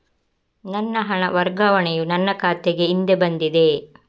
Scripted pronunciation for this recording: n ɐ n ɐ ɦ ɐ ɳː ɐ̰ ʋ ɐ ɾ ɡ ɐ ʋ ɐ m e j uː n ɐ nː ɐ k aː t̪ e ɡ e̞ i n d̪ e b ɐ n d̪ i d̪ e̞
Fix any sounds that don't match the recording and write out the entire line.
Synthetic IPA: n ɐ nː ɐ ɦ ɐ ɳ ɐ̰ ʋ ɐ ɾ ɡ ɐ ʋ ɐ ɳ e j u n ɐ nː ɐ k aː t̪ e ɡ e̞ i n d̪ e b ɐ n d̪ i d̪ e̞